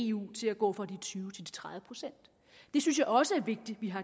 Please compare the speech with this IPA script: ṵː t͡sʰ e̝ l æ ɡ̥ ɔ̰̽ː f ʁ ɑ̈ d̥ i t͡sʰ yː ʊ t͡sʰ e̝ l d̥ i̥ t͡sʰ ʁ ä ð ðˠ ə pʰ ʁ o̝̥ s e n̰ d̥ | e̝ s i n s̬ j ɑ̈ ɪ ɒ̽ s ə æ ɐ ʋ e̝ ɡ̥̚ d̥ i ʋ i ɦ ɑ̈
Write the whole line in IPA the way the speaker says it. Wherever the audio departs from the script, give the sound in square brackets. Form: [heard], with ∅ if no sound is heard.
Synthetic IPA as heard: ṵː t͡sʰ e̝ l æ ɡ̥ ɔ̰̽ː f ʁ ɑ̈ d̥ i t͡sʰ yː ʊ t͡sʰ e̝ l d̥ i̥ t͡sʰ ʁ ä ð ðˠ ə pʰ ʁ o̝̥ s e n̰ d̥ | e̝ s [y] n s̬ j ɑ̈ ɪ ɒ̽ s ə æ ɐ ʋ e̝ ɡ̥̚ d̥ i ʋ i ɦ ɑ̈